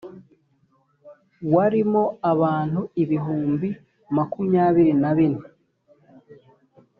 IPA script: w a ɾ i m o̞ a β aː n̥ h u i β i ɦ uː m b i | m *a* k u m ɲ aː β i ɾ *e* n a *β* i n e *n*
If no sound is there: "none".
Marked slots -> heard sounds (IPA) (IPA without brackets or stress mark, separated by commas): a, i, β, none